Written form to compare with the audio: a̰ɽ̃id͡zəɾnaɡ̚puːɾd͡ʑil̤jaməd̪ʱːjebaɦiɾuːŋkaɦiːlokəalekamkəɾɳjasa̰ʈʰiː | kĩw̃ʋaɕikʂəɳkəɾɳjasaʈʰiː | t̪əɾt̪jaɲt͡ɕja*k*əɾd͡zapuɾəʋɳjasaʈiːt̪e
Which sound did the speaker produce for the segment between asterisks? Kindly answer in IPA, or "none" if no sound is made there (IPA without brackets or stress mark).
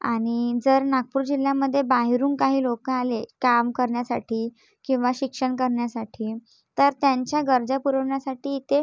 ɡ